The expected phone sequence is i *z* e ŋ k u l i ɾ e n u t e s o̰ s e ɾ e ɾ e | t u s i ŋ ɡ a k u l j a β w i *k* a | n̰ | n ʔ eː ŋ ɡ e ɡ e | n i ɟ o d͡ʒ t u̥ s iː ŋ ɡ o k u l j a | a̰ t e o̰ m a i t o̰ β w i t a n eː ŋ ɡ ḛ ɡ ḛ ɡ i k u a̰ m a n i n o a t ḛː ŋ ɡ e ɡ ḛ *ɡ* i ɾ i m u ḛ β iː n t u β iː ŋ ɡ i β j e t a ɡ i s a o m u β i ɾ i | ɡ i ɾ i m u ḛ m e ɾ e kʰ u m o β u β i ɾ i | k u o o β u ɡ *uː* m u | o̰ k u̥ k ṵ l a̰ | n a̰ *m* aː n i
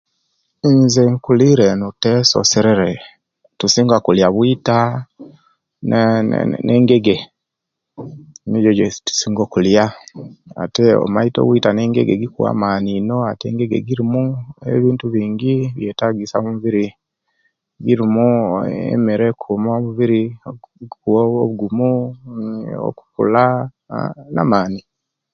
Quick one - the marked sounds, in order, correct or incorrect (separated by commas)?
correct, incorrect, correct, incorrect, correct